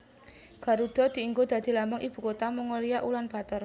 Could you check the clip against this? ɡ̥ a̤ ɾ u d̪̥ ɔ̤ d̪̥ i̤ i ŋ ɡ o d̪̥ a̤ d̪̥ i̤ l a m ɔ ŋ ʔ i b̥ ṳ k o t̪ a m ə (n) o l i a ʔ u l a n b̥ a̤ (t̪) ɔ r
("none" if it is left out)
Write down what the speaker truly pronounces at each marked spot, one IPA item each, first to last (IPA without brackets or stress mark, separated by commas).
ŋ, t̪